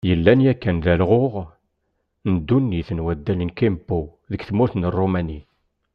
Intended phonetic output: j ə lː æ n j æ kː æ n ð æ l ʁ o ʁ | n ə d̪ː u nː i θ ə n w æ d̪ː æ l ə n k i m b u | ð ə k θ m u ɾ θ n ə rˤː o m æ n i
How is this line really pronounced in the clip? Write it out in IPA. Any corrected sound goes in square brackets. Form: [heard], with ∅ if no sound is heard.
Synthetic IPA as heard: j ə lː æ n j æ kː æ n ð æ l ʁ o ʁ | n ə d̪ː u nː i θ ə n w æ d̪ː æ l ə n k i m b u | ð ə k θ m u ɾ θ n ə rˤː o m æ n i